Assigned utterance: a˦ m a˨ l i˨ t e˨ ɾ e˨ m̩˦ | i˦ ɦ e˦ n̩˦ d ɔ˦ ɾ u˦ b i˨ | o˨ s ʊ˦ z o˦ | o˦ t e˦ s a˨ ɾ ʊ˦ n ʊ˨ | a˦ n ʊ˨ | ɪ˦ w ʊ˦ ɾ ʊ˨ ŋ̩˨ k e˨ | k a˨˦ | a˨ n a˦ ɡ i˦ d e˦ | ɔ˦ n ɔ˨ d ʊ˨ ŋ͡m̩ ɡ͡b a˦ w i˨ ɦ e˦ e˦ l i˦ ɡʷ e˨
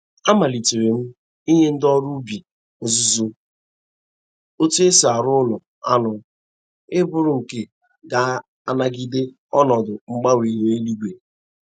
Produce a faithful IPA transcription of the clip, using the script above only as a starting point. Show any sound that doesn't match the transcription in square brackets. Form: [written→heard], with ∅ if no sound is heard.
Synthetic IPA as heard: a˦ m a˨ l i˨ t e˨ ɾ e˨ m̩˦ | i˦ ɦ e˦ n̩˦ d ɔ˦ ɾ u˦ b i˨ | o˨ [s→z] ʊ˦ z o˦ | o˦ t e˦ s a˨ ɾ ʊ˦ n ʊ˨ | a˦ n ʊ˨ | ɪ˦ [w→b] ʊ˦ ɾ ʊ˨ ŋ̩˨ k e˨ | [k→ɡ] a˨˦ | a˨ n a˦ ɡ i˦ d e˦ | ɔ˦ n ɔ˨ d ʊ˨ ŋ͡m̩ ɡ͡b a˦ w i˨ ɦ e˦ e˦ l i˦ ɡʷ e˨